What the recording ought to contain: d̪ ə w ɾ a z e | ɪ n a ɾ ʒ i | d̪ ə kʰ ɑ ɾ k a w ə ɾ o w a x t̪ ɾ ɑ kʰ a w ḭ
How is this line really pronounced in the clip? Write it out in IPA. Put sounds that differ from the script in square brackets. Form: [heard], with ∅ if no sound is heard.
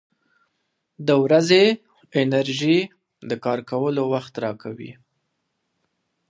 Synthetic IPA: d̪ ə w ɾ a z e | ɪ n a ɾ ʒ i | d̪ ə [k] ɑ ɾ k a w ə [l] o w a x t̪ ɾ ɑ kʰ a w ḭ